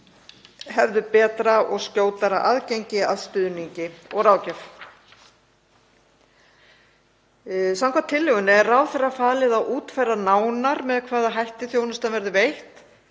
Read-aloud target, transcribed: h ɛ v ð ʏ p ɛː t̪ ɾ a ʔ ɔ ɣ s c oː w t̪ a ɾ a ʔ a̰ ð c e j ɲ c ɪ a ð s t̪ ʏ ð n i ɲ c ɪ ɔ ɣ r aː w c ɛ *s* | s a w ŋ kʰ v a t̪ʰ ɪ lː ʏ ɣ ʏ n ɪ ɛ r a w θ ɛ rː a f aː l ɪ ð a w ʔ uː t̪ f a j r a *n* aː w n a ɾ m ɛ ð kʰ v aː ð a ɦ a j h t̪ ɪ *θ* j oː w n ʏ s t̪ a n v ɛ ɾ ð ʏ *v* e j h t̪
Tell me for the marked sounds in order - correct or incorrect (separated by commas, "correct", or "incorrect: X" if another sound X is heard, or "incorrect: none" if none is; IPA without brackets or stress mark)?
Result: incorrect: f, correct, correct, correct